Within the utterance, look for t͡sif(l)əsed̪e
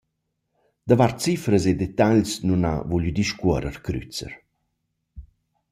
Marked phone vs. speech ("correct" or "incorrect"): incorrect